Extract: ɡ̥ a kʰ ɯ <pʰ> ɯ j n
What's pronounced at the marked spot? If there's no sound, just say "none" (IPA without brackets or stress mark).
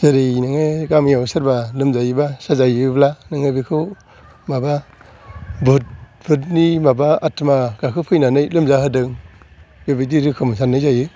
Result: pʰ